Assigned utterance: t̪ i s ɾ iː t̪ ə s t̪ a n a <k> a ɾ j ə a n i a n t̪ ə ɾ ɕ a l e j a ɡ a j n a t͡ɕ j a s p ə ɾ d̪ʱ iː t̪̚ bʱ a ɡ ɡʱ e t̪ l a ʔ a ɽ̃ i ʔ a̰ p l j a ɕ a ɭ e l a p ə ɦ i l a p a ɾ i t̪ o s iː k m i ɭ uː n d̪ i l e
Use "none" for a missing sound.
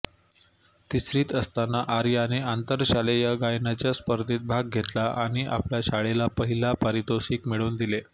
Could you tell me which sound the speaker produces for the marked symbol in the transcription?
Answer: ʔ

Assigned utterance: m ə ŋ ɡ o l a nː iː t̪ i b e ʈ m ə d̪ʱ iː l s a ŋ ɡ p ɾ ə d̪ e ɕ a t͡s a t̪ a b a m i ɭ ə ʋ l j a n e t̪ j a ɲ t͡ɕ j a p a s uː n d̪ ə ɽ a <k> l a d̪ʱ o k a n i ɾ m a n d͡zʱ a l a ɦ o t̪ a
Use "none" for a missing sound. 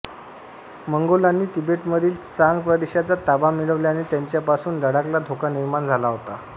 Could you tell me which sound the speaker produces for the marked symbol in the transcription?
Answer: k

